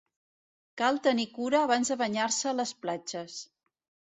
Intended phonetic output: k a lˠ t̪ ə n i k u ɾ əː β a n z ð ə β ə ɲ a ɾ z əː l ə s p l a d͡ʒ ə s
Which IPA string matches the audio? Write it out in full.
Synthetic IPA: k a lˠ t̪ ə n i k u ɾ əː β a n z ð ə β ə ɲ a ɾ s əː l ə s p l a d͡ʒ ə s